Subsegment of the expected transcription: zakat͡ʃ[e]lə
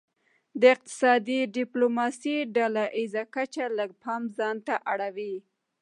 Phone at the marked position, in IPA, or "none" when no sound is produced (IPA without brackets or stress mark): a